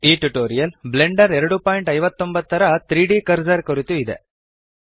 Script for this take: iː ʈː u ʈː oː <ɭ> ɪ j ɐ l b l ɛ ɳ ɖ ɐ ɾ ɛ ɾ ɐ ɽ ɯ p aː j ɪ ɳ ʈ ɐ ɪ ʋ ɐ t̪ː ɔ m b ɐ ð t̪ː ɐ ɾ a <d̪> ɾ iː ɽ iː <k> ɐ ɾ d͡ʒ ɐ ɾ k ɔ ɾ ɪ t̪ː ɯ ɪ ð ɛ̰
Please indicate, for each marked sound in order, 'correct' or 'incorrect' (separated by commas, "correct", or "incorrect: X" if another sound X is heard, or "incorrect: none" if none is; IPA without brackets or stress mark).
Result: incorrect: ɾ, incorrect: t̪, correct